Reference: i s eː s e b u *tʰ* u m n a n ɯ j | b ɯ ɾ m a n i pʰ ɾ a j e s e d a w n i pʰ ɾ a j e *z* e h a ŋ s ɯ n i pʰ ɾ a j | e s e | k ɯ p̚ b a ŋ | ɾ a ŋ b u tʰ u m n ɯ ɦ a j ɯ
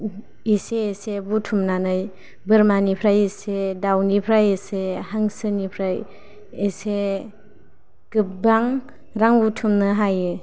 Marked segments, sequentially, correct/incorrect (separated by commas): correct, incorrect